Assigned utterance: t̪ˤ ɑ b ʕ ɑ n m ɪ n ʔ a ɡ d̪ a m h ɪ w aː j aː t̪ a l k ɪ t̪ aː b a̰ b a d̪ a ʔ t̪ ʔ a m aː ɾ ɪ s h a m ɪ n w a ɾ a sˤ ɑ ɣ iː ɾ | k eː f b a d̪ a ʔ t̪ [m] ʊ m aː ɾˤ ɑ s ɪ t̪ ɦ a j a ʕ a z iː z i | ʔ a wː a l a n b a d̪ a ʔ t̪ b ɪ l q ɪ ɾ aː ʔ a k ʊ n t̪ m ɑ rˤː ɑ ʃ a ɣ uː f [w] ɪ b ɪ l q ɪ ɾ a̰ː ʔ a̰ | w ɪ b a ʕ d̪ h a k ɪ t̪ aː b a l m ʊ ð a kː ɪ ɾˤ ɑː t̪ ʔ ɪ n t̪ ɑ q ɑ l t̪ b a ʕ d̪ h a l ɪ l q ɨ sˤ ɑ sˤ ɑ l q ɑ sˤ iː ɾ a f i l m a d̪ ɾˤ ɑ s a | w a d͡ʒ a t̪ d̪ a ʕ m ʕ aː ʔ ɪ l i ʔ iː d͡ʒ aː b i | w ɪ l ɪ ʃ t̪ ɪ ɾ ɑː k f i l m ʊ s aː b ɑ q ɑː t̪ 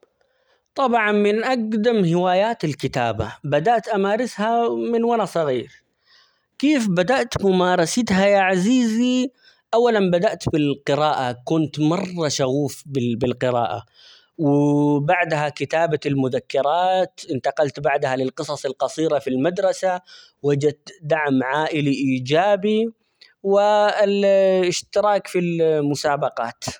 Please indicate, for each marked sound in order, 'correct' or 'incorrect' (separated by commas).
correct, incorrect